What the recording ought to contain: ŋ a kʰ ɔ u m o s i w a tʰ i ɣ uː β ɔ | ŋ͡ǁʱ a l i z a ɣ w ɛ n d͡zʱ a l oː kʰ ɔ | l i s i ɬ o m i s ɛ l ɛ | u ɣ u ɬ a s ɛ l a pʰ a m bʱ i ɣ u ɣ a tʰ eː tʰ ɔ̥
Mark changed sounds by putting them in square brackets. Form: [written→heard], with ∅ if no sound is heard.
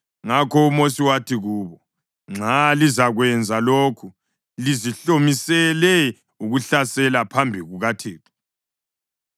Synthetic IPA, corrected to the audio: ŋ a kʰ ɔ u m o s i w a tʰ i ɣ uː β ɔ | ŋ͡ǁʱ a l i z a ɣ w ɛ n d͡zʱ a l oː kʰ [ɔ→u] | l i [s→z] i ɬ o m i s ɛ l ɛ | u ɣ u ɬ a s ɛ l a pʰ a m bʱ i ɣ u ɣ a tʰ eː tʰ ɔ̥